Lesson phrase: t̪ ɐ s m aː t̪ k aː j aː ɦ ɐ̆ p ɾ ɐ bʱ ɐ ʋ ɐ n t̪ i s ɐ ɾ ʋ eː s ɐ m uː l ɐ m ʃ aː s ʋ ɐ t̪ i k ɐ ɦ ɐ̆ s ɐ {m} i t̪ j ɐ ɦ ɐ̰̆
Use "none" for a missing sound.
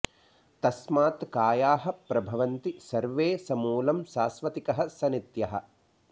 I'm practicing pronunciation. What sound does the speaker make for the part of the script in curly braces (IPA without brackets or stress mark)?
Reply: n